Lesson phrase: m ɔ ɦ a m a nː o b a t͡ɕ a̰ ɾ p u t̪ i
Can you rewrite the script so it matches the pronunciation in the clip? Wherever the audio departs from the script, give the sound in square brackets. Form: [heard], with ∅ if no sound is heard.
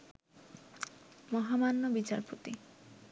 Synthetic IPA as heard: m ɔ ɦ a m a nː o b [i] t͡ɕ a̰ ɾ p [o] t̪ i